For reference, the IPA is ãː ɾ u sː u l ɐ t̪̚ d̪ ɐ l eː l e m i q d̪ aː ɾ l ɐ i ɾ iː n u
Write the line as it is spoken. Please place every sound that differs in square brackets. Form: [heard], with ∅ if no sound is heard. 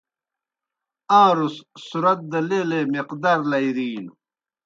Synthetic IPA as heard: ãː ɾ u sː u [ɾ] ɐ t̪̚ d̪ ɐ l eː l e m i q d̪ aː ɾ l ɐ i ɾ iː n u